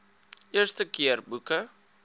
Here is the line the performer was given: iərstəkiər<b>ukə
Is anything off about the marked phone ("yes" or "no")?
no